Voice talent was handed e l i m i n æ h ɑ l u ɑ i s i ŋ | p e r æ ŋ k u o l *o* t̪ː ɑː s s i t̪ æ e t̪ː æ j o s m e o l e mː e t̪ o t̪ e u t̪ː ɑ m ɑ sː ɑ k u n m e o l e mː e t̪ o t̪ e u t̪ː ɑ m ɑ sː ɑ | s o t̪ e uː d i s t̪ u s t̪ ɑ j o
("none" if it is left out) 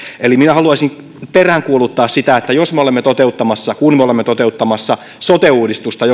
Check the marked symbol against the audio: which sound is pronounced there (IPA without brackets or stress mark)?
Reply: u